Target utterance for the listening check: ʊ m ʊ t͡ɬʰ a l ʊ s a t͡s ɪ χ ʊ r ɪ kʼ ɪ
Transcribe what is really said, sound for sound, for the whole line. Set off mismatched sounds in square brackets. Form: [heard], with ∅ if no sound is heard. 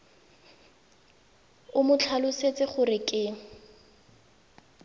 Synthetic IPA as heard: ʊ m ʊ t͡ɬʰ a l ʊ s [e] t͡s ɪ χ ʊ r ɪ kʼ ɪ